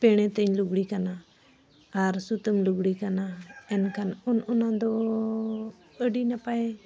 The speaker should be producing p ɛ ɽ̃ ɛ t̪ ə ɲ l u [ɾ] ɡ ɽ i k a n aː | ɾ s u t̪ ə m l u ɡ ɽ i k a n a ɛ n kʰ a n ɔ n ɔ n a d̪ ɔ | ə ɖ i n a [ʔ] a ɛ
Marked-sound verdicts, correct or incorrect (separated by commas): incorrect, incorrect